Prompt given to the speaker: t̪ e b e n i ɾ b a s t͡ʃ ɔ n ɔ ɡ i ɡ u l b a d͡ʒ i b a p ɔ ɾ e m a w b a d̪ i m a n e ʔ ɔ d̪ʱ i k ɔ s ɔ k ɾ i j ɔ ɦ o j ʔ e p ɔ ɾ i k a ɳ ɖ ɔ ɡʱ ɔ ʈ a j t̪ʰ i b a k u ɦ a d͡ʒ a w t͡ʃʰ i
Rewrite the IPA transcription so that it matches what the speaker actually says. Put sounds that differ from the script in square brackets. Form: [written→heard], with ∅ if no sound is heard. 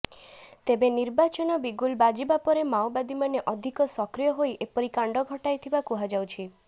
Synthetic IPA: t̪ e b e n i ɾ b a [s→∅] t͡ʃ ɔ n ɔ [ɡ→b] i ɡ u l b a d͡ʒ i b a p ɔ ɾ e m a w b a d̪ i m a n e ʔ ɔ d̪ʱ i k ɔ s ɔ k ɾ i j ɔ ɦ o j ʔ e p ɔ ɾ i k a ɳ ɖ ɔ ɡʱ ɔ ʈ a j t̪ʰ i b a k u ɦ a d͡ʒ a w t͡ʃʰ i